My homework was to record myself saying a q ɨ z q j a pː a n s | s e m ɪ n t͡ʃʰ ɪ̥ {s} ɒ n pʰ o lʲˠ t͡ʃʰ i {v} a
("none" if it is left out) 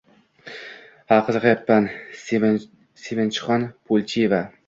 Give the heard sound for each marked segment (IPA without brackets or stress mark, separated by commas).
χ, v